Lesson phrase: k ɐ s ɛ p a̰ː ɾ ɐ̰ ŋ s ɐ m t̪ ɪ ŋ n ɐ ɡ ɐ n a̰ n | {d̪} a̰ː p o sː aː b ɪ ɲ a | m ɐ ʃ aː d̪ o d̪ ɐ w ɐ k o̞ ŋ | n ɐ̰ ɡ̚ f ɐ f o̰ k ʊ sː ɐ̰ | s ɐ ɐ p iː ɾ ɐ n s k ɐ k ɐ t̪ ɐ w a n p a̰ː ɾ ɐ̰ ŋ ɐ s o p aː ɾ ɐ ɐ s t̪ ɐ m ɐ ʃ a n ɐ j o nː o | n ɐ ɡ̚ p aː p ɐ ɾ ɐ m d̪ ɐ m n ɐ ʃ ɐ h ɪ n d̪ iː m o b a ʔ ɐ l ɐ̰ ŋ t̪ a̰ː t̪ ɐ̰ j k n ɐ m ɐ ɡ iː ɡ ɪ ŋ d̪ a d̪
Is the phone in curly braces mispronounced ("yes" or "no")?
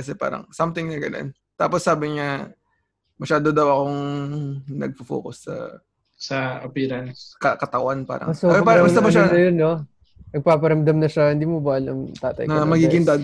yes